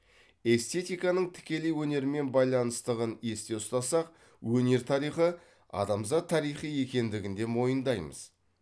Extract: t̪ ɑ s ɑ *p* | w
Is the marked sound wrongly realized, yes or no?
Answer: yes